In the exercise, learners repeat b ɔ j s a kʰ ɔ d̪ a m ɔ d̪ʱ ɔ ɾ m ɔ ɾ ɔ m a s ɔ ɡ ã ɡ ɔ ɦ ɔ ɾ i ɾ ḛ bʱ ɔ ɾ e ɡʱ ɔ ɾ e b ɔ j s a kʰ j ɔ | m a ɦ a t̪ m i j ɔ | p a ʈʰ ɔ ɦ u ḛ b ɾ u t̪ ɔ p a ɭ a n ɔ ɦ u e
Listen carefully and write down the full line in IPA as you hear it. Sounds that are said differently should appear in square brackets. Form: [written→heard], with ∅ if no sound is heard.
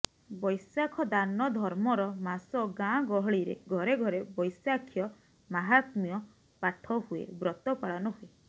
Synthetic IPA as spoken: b ɔ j s a kʰ ɔ d̪ a [m→n] ɔ d̪ʱ ɔ ɾ m ɔ ɾ ɔ m a s ɔ ɡ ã ɡ ɔ ɦ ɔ [ɾ→ɭ] i ɾ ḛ [bʱ→ɡʱ] ɔ ɾ e ɡʱ ɔ ɾ e b ɔ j s a kʰ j ɔ | m a ɦ a t̪ m i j ɔ | p a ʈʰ ɔ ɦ u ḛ b ɾ [u→ɔ] t̪ ɔ p a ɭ a n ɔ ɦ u e

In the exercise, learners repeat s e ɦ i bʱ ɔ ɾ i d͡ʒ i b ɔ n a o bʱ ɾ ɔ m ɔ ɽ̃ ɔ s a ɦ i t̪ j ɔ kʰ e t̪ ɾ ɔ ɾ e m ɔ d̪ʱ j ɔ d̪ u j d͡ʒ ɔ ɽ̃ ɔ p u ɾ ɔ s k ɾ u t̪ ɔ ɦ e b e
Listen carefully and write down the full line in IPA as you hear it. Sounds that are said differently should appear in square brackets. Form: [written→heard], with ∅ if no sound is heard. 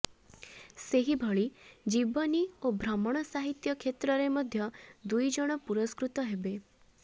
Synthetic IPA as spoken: s e ɦ i bʱ ɔ [ɾ→ɭ] i d͡ʒ i b ɔ n [a→i] o bʱ ɾ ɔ m ɔ ɽ̃ ɔ s a ɦ i t̪ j ɔ kʰ e t̪ ɾ ɔ ɾ e m ɔ d̪ʱ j ɔ d̪ u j d͡ʒ ɔ ɽ̃ ɔ p u ɾ ɔ s k ɾ u t̪ ɔ ɦ e b e

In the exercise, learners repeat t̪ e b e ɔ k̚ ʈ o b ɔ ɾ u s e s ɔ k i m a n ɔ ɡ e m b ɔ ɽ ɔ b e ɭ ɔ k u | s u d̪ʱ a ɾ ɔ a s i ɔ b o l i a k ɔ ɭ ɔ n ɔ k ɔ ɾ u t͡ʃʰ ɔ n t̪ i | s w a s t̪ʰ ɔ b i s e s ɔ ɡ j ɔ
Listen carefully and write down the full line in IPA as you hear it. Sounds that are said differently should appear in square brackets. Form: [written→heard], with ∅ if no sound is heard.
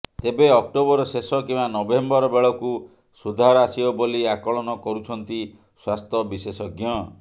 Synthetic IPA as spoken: t̪ e b e ɔ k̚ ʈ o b ɔ ɾ [u→ɔ] s e s ɔ k i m a n ɔ [ɡ→b] e m b ɔ [ɽ→ɾ] ɔ b e ɭ ɔ k u | s u d̪ʱ a ɾ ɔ a s i ɔ b o l i a k ɔ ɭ ɔ n ɔ k ɔ ɾ u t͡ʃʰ ɔ n t̪ i | s w a s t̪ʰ ɔ b i s e s ɔ ɡ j ɔ

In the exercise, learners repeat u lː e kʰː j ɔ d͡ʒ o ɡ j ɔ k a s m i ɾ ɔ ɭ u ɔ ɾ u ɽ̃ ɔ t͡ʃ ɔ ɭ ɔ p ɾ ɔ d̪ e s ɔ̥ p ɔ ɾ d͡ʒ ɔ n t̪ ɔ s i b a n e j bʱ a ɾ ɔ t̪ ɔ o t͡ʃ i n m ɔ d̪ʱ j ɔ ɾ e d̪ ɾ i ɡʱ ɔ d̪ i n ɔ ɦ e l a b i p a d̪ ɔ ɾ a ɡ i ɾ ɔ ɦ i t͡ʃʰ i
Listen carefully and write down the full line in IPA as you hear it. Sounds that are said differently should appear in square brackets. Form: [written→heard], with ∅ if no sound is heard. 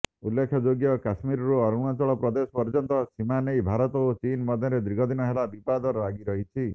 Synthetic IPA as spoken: u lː e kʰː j ɔ d͡ʒ o ɡ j ɔ k a s m i ɾ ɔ [ɭ→ɾ] u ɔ ɾ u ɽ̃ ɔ t͡ʃ ɔ ɭ ɔ p ɾ ɔ d̪ e s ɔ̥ p ɔ ɾ d͡ʒ ɔ n t̪ ɔ s i [b→m] a n e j bʱ a ɾ ɔ t̪ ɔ o t͡ʃ i n m ɔ d̪ʱ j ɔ ɾ e d̪ ɾ i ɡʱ ɔ d̪ i n ɔ ɦ e l a b i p a d̪ ɔ ɾ a ɡ i ɾ ɔ ɦ i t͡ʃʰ i

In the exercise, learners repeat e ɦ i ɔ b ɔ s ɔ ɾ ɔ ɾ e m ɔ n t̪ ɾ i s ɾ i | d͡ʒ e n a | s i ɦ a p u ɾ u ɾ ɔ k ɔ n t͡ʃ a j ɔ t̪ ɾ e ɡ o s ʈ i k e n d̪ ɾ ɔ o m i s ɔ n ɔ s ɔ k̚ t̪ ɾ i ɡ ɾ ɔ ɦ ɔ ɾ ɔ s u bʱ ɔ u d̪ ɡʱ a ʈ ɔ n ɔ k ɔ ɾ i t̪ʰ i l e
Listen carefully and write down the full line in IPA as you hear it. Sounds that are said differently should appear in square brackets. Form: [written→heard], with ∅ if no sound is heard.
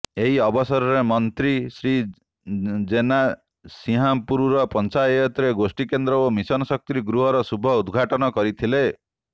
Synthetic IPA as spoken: e ɦ i ɔ b ɔ s ɔ ɾ ɔ ɾ e m ɔ n t̪ ɾ i s ɾ i | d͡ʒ e n a | s i ɦ a p u ɾ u ɾ ɔ [k→p] ɔ n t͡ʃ a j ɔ t̪ ɾ e ɡ o s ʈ i k e n d̪ ɾ ɔ o m i s ɔ n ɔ s ɔ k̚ t̪ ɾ i ɡ ɾ [ɔ→u] ɦ ɔ ɾ ɔ s u bʱ ɔ u d̪ ɡʱ a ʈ ɔ n ɔ k ɔ ɾ i t̪ʰ i l e

